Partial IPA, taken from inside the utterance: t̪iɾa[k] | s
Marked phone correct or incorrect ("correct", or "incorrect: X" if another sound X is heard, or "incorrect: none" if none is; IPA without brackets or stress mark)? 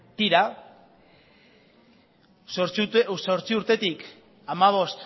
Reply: incorrect: none